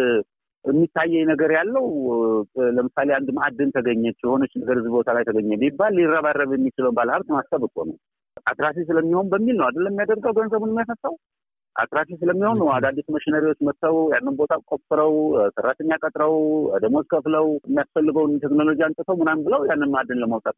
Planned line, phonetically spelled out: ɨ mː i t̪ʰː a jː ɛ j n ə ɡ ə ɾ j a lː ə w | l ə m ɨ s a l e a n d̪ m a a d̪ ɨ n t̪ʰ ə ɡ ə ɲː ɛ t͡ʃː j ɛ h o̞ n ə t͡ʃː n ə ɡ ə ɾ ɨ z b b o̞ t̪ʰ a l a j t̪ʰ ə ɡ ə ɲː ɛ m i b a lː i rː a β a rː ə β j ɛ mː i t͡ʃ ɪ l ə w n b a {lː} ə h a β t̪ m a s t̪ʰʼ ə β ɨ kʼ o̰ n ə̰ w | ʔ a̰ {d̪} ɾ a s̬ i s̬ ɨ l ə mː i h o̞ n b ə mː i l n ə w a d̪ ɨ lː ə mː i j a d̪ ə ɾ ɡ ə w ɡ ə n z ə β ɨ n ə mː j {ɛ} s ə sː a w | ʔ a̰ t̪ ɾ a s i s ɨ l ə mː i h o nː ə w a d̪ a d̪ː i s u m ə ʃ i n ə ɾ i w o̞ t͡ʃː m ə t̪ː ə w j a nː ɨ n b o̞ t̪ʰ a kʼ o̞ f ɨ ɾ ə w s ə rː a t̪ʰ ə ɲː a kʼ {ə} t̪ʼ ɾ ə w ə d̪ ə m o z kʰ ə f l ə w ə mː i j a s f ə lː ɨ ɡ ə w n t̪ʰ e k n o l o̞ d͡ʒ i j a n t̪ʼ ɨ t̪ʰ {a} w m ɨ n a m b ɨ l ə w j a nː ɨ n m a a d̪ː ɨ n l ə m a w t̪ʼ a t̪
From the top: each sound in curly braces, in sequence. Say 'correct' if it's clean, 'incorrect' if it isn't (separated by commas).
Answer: incorrect, incorrect, incorrect, correct, incorrect